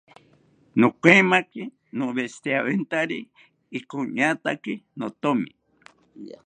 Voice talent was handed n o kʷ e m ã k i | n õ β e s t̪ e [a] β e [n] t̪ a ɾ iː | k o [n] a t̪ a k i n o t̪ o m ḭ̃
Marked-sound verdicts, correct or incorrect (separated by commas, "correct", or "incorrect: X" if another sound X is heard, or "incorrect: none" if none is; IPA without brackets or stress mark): correct, correct, incorrect: ɲ